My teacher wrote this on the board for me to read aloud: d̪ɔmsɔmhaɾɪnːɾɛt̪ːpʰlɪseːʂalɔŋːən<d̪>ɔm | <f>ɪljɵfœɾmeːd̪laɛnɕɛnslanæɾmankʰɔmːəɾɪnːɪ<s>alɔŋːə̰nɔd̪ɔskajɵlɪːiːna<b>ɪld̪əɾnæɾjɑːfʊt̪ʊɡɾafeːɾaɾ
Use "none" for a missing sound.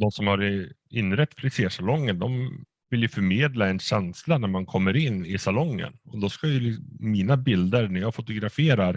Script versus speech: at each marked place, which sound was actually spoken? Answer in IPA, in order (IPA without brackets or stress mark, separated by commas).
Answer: d̪, v, s, b